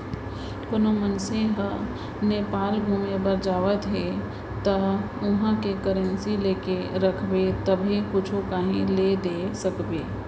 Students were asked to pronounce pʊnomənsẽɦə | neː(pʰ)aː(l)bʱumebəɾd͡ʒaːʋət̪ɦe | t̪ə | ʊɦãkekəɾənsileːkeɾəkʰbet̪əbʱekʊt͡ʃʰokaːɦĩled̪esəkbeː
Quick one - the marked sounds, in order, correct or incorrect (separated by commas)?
incorrect, correct